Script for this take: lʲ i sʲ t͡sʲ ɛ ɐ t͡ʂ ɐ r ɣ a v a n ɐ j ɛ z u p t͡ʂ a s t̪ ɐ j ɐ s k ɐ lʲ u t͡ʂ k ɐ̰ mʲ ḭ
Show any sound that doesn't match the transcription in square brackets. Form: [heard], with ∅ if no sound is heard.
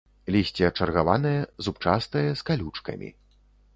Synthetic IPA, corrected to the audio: lʲ i sʲ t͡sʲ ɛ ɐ t͡ʂ ɐ r ɣ a v a n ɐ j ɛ z u p t͡ʂ a s t̪ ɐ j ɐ s k [a] lʲ u t͡ʂ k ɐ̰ mʲ ḭ